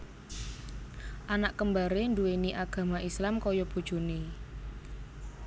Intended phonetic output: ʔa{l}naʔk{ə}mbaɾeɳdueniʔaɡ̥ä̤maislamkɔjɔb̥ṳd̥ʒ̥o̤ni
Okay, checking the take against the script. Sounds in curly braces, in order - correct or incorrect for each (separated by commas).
incorrect, correct